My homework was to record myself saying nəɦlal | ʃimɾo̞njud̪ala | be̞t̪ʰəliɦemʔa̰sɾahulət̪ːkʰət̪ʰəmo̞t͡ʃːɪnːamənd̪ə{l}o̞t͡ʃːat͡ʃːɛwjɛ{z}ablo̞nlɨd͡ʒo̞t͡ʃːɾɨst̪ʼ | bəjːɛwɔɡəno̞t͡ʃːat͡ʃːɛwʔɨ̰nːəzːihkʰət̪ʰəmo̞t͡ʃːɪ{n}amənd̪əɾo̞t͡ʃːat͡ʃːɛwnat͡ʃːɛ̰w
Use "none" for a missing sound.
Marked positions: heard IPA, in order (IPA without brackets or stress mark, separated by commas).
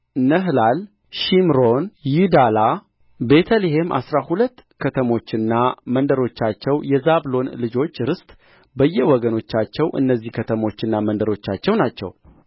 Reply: ɾ, z, nː